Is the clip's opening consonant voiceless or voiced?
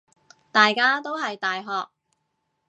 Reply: voiceless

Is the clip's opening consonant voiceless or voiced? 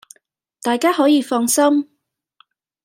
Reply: voiceless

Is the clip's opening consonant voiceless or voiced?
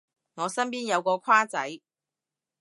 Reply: voiced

